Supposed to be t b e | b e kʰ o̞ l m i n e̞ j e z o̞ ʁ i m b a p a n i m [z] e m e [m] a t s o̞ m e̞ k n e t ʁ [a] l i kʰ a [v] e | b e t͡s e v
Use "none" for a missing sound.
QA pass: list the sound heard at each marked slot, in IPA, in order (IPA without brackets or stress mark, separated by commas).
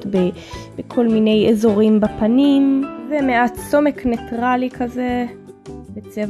z, none, a, z